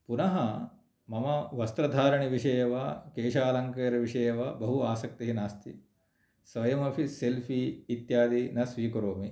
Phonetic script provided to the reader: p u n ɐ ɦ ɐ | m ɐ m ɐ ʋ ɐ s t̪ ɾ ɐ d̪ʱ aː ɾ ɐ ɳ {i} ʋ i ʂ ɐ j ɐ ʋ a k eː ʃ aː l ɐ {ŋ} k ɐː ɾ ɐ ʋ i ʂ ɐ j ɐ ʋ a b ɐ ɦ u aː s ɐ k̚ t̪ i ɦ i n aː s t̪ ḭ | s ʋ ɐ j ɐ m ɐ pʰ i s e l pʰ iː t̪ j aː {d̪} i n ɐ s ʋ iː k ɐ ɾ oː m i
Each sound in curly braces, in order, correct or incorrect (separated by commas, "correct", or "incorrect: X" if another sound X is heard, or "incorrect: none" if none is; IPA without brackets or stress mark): correct, correct, correct